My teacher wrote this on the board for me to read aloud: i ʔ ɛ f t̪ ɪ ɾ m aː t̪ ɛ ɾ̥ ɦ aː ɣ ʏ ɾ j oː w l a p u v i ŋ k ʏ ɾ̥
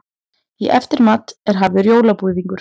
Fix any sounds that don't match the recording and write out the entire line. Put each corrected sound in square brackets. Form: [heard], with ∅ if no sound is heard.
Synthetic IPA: i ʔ ɛ f t̪ ɪ ɾ m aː t̪ ɛ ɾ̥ ɦ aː [v] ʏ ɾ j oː w l a p u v i ŋ k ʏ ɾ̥